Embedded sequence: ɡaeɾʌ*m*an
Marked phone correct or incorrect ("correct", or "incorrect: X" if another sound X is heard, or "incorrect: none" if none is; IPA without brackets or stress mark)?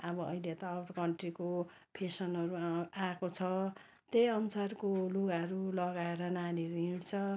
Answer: incorrect: n